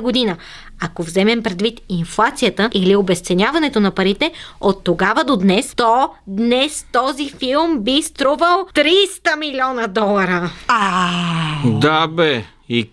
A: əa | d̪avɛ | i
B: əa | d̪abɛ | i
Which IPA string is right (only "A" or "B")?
B